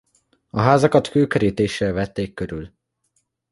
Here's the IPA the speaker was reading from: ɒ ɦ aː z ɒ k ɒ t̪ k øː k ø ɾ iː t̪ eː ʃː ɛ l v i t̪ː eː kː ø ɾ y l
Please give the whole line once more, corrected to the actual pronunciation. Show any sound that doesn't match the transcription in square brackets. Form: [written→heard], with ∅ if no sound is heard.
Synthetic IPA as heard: ɒ ɦ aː z ɒ k ɒ t̪ k øː k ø ɾ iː t̪ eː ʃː ɛ l v [i→ɛ] t̪ː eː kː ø ɾ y l